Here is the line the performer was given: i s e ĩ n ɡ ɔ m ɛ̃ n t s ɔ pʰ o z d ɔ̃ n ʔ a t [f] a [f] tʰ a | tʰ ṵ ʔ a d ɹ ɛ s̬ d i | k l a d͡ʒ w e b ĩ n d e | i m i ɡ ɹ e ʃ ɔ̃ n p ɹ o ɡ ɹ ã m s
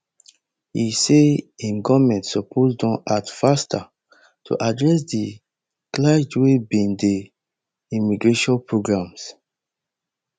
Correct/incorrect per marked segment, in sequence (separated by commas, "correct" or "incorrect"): correct, incorrect